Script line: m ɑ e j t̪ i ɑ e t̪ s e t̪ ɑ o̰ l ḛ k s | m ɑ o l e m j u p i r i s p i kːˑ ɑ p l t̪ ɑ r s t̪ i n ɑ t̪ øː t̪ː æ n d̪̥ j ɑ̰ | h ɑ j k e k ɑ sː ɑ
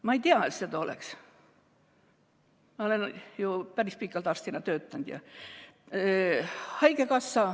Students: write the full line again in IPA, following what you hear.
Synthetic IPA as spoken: m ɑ e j t̪ i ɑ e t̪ s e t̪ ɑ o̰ l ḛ k s | m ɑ o l e n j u p æ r i s p i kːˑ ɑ l t̪ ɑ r s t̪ i n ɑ t̪ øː t̪ː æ n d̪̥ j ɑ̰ | h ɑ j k e k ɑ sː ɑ